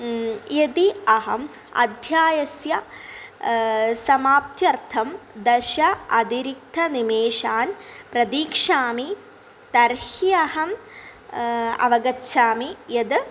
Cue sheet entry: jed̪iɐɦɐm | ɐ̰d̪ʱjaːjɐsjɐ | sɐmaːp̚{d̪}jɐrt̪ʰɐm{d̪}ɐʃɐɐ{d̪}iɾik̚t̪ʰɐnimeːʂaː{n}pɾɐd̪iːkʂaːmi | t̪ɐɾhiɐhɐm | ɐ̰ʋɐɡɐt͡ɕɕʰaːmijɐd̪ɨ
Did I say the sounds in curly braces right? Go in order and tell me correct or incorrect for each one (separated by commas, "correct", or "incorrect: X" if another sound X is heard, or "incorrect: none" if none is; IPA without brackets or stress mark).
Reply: incorrect: t̪, correct, correct, correct